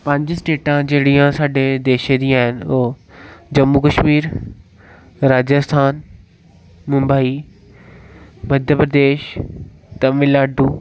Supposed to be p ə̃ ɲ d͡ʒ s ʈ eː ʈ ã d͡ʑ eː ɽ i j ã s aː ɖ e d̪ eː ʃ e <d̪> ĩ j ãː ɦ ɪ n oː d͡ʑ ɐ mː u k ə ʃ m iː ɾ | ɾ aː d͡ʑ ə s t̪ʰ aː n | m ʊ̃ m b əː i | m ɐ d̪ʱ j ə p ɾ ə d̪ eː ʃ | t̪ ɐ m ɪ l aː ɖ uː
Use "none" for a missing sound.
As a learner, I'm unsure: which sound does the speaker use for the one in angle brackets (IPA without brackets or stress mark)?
d̪